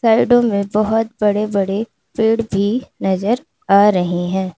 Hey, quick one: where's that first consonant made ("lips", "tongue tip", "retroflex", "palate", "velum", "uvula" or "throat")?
tongue tip